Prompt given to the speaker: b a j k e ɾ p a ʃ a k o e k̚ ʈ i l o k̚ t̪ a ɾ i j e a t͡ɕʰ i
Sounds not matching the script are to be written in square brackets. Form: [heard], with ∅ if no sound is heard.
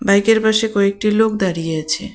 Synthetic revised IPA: b a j k e ɾ p a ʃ [e] k [ɔ] e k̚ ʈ i l o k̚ [d̪] a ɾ i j e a t͡ɕʰ [e]